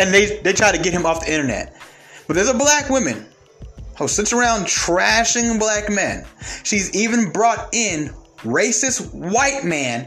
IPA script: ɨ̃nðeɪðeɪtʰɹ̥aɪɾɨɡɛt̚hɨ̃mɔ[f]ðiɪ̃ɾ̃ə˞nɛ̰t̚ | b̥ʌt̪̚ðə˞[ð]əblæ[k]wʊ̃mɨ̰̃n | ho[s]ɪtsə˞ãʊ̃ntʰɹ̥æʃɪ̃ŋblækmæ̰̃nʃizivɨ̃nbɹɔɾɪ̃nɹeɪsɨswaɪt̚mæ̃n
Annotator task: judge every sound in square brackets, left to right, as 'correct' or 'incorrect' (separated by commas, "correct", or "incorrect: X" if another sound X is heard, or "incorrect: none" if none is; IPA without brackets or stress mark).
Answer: correct, incorrect: z, correct, correct